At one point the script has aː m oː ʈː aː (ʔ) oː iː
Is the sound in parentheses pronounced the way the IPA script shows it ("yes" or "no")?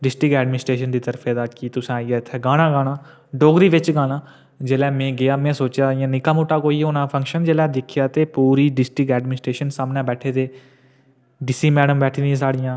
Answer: no